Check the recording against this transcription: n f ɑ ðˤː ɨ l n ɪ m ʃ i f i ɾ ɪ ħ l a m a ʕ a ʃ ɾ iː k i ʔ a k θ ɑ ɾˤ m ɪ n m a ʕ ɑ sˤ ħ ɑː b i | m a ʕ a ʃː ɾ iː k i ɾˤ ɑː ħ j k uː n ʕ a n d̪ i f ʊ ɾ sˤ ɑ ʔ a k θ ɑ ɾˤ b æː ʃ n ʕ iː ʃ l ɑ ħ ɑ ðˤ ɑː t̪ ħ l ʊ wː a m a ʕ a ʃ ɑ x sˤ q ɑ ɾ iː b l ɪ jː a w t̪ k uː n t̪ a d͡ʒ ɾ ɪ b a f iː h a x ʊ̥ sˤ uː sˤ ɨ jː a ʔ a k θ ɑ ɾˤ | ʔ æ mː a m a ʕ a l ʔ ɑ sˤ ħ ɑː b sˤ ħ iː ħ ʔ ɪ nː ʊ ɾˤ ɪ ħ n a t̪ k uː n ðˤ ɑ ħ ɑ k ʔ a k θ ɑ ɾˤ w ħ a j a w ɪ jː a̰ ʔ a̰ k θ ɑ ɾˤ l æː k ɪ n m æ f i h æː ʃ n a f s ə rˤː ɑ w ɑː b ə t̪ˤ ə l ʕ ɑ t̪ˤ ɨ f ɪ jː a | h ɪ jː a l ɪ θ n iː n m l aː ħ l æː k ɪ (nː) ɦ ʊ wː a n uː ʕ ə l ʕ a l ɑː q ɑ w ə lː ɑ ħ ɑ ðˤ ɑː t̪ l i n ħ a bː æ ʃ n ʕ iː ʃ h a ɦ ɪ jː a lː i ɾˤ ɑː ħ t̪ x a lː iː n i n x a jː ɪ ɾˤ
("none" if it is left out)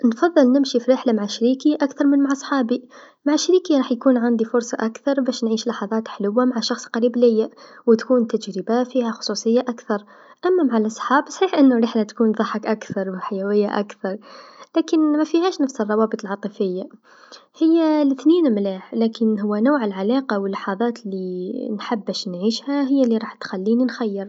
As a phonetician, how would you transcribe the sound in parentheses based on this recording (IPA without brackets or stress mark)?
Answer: n